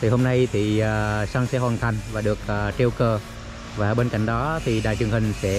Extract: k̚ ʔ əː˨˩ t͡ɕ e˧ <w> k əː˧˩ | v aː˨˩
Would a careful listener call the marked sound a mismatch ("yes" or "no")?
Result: no